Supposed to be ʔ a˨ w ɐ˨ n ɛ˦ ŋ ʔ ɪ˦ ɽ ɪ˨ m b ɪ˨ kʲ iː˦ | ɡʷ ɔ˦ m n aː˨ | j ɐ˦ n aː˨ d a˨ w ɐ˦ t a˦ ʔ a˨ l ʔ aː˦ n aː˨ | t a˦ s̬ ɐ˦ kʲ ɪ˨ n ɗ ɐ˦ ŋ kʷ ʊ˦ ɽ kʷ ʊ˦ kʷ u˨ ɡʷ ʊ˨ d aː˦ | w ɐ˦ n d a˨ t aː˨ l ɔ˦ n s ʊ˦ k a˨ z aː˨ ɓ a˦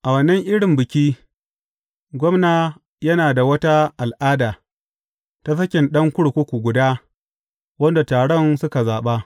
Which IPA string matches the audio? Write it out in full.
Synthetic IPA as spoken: ʔ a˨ w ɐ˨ n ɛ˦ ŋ ʔ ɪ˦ ɽ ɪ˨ m b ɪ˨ kʲ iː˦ | ɡʷ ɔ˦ m n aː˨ | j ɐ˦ n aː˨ d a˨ w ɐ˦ t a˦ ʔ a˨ l ʔ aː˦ d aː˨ | t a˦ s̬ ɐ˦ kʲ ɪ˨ n ɗ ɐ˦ ŋ kʷ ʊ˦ ɽ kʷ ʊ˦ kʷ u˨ ɡʷ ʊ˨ d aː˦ | w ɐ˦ n d a˨ t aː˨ ɽ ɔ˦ n s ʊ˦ k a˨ z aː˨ ɓ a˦